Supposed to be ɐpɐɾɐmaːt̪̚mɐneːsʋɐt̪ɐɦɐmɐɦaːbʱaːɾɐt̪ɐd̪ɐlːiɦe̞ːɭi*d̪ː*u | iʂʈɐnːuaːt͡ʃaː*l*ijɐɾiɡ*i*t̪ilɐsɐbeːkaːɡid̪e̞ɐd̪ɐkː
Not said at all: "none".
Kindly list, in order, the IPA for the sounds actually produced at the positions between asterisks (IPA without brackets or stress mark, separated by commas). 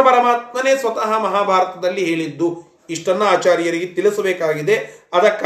d̪ː, ɾ, e